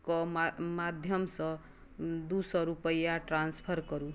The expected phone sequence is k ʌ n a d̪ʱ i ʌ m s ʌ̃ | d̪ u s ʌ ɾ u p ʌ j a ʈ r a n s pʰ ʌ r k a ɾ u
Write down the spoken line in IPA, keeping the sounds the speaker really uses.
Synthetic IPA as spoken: k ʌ m a d̪ʱ j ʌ m s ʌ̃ | d̪ u s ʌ ɾ u p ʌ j a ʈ r a n s pʰ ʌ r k ʌ ɾ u